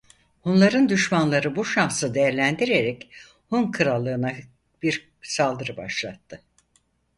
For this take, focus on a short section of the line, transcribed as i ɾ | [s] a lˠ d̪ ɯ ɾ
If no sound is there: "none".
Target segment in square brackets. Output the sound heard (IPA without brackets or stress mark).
s